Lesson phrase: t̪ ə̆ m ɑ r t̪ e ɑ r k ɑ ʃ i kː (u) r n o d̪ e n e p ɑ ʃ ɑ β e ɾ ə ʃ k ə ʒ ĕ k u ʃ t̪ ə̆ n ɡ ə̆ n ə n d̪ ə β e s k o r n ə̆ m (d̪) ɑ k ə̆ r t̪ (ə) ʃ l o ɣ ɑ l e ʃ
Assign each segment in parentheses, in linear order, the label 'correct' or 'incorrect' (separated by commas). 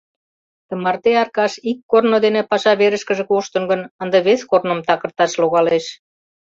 incorrect, incorrect, incorrect